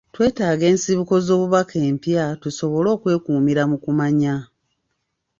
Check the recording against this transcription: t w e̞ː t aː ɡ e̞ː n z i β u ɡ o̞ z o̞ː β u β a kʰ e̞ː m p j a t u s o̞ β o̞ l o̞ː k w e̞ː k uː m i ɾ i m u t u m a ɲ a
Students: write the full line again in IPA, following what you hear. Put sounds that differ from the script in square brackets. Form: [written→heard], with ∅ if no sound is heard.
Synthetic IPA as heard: t w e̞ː t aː ɡ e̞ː n [z→s] i β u [ɡ→k] o̞ z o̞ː β u β a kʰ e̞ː m p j a t u s o̞ β o̞ l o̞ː k w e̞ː k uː m i ɾ [i→a] m u [t→k] u m a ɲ a